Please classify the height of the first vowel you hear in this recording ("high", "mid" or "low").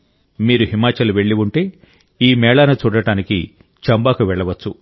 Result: high